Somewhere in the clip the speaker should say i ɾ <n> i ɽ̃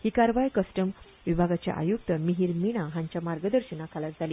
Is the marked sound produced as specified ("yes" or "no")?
no